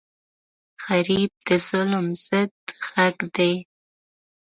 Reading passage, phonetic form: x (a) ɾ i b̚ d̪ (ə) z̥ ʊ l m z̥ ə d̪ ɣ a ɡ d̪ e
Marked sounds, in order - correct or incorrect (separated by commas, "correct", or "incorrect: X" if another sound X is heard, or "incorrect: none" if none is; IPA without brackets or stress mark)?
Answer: correct, correct